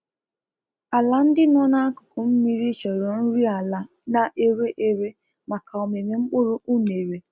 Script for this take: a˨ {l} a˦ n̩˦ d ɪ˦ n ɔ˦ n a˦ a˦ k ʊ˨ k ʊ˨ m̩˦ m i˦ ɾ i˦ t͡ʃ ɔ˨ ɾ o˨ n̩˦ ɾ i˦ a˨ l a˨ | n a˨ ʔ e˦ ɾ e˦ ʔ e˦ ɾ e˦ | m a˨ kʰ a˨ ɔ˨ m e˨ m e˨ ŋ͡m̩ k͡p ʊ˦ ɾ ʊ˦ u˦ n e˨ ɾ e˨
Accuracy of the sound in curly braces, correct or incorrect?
correct